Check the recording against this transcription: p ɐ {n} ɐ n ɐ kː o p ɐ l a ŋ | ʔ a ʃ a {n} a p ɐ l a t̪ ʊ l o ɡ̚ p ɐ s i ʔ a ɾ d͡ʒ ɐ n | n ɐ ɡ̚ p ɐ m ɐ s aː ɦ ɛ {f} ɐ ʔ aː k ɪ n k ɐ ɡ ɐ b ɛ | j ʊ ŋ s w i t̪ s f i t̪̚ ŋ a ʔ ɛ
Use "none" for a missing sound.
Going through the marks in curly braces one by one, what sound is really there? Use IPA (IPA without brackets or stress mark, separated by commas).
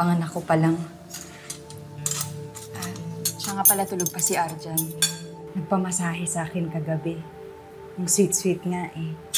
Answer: ŋ, ŋ, s